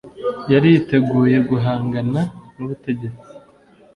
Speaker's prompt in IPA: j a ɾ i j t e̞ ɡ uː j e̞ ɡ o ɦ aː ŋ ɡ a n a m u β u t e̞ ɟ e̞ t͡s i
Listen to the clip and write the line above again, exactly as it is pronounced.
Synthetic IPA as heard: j a ɾ i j t e̞ ɡ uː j e̞ ɡ u ɦ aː ŋ ɡ a n a n u β u t e̞ ɟ e̞ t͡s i